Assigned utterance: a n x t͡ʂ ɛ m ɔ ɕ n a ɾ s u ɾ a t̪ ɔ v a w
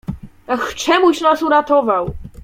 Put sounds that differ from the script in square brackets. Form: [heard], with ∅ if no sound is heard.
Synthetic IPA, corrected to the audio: a [∅] x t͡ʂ ɛ m [u] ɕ n a [∅] s u ɾ a t̪ ɔ v a w